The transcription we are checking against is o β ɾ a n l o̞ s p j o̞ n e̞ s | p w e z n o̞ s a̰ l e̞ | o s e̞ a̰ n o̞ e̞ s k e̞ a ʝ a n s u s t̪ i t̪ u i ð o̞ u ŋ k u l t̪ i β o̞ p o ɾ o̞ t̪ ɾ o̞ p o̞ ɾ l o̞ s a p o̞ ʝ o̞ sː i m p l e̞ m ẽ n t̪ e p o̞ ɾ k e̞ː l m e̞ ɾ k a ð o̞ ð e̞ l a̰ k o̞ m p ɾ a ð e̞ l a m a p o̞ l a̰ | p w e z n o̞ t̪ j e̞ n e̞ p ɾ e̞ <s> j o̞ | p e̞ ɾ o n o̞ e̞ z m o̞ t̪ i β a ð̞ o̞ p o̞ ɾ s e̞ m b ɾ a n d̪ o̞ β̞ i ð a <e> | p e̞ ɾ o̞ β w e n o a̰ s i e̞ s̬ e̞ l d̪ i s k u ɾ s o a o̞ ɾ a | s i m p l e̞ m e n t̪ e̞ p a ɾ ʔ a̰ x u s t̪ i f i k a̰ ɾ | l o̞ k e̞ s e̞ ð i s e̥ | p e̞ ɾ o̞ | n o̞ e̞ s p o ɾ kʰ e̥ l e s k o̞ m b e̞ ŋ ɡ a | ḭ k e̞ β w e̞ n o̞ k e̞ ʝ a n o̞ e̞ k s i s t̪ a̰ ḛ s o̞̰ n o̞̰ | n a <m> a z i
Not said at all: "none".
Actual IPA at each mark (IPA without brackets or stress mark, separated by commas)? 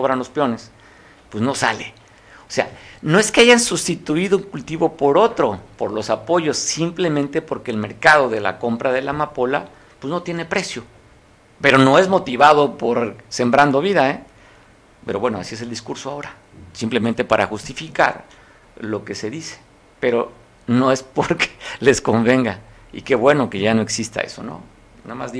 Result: s, e, m